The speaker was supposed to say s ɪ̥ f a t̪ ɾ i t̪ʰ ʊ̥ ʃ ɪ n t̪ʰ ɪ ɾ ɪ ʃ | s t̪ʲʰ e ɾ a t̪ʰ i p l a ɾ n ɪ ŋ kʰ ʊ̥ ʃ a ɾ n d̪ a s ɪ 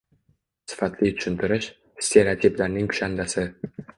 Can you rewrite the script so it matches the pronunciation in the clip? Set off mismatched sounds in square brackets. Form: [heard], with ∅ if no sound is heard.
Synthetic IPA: s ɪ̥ f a t̪ [l] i t̪ʰ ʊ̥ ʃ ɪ n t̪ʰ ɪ ɾ ɪ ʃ | s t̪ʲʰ e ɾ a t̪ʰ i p l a ɾ n ɪ ŋ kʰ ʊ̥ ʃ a [∅] n d̪ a s ɪ